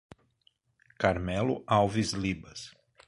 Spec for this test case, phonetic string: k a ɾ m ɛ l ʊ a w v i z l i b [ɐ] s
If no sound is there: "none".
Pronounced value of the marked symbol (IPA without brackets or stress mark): ɐ